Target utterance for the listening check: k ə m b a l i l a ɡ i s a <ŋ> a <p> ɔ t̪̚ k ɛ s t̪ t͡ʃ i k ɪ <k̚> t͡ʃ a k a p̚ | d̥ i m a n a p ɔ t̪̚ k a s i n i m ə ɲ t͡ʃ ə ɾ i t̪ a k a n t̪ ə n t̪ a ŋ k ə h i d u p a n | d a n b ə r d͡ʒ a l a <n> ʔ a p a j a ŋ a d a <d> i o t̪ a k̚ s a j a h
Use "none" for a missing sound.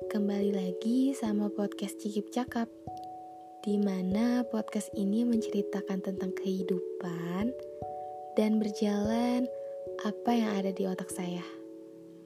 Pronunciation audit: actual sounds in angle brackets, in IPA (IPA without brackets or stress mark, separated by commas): m, p, p̚, n, d